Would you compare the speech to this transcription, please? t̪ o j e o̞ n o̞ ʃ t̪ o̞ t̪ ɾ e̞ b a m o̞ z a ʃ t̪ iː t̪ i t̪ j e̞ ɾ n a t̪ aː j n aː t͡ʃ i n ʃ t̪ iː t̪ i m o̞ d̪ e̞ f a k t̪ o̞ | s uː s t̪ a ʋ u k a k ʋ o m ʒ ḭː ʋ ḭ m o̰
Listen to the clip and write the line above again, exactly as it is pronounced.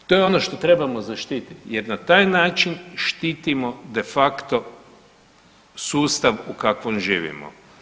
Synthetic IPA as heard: t̪ o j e o̞ n o̞ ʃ t̪ o̞ t̪ ɾ e̞ b a m o̞ z a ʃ t̪ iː t̪ i t̪ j e̞ ɾ n a t̪ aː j n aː t͡ʃ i n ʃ t̪ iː t̪ i m o̞ d̪ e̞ f a k t̪ o̞ | s uː s t̪ a ʋ u k a k ʋ o m ʒ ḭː ʋ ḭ m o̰